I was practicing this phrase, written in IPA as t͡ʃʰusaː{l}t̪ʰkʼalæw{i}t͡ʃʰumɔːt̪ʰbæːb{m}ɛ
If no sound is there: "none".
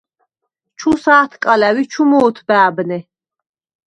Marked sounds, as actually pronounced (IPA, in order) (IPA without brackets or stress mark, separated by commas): none, i, n